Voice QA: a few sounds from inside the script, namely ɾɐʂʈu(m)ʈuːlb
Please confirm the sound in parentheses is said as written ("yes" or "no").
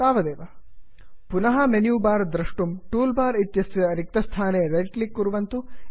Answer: yes